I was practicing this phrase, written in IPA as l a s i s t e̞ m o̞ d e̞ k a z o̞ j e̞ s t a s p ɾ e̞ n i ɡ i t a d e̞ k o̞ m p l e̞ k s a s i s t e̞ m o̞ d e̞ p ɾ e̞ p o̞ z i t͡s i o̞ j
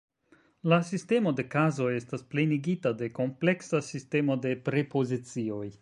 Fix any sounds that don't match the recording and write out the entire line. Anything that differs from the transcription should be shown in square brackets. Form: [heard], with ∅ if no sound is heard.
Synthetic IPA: l a s i s t e̞ m o̞ d e̞ k a z o̞ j e̞ s t a s p [l] e̞ n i ɡ i t a d e̞ k o̞ m p l e̞ k s a s i s t e̞ m o̞ d e̞ p ɾ e̞ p o̞ z i t͡s i o̞ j